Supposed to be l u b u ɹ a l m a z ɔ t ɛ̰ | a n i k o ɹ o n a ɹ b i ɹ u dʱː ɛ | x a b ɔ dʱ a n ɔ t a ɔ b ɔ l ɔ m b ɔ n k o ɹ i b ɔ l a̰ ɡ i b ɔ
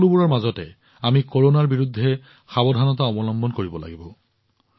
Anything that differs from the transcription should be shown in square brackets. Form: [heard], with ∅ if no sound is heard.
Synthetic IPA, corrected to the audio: l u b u ɹ a [ɹ] m a z ɔ t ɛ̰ | a [m] i k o ɹ o n a ɹ b i ɹ u dʱː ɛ | x a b ɔ dʱ a n ɔ t a ɔ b ɔ l ɔ m b ɔ n k o ɹ i b ɔ l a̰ ɡ i b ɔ